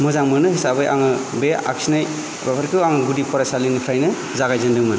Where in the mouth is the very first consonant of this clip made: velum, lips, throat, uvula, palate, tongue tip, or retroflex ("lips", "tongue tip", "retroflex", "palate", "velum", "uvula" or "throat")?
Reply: lips